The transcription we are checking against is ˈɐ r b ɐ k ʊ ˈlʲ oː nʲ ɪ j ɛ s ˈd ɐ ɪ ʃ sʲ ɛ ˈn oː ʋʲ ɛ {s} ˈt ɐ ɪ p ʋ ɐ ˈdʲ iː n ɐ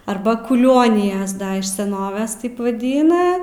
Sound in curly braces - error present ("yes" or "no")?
no